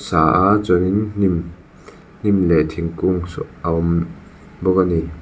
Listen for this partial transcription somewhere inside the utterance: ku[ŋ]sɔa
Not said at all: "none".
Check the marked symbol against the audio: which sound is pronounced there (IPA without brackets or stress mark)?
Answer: ŋ